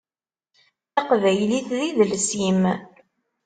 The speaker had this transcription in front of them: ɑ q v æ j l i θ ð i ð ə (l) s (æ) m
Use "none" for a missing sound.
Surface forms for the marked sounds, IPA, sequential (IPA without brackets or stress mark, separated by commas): l, i